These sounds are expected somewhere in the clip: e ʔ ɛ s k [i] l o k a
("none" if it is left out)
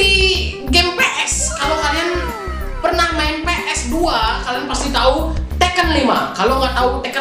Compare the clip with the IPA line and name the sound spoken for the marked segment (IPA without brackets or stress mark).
a